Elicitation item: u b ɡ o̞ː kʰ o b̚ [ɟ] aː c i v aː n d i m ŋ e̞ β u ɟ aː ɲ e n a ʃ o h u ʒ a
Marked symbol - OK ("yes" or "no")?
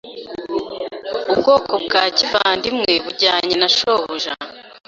no